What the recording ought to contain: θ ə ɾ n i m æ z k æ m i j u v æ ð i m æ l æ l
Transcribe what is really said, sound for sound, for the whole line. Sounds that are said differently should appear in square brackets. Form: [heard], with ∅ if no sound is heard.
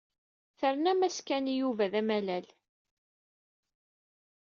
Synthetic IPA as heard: θ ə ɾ n [æ] m æ [s] k æ [n] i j u v æ ð [æ] m æ l æ l